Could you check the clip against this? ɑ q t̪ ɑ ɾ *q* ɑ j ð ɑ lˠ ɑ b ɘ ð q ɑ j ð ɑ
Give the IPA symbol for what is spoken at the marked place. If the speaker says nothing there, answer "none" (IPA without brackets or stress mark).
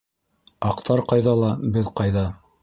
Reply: q